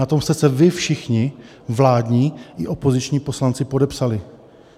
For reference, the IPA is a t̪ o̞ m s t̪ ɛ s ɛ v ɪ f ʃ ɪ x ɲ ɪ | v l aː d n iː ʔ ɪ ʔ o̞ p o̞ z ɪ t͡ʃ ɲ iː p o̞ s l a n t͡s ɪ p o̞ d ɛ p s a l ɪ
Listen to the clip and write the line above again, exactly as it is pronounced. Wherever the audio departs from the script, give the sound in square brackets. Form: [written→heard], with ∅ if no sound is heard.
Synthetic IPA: a t̪ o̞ m s t̪ ɛ s ɛ v ɪ f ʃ ɪ x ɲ ɪ | v l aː d [n→ɲ] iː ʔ ɪ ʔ o̞ p o̞ z ɪ t͡ʃ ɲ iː p o̞ s l a n t͡s ɪ p o̞ d ɛ p s a l ɪ